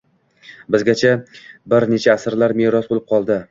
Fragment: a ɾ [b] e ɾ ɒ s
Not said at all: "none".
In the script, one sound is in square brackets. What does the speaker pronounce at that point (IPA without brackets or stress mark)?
m